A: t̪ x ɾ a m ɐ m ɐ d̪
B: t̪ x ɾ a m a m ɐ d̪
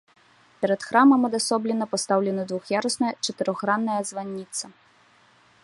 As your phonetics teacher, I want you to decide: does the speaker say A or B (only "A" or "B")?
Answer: A